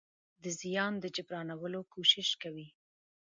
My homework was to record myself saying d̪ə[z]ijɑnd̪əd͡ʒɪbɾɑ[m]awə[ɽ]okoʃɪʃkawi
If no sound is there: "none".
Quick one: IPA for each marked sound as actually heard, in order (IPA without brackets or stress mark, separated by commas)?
z, n, l